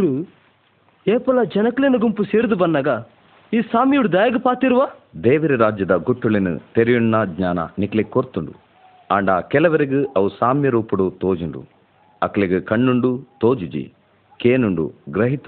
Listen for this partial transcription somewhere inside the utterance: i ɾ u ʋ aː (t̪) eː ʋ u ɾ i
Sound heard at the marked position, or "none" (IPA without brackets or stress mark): d̪